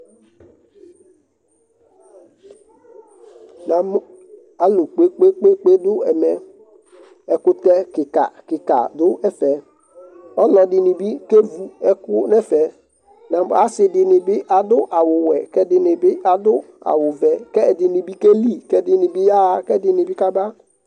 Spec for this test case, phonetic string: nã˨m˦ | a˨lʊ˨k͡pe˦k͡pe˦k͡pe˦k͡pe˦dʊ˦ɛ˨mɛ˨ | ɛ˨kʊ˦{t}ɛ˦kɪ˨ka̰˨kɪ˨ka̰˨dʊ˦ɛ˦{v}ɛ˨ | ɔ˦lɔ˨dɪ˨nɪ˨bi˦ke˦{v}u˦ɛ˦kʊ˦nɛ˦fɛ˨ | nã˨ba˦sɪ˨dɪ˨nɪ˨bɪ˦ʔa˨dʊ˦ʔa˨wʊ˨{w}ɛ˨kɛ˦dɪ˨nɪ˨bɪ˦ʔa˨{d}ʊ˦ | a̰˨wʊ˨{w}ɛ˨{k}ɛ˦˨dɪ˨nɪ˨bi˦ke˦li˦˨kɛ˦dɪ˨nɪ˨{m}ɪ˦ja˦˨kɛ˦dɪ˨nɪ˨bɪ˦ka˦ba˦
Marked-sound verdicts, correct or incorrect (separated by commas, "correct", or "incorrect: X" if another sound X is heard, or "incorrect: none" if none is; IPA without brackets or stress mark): correct, incorrect: f, correct, correct, correct, incorrect: v, correct, incorrect: b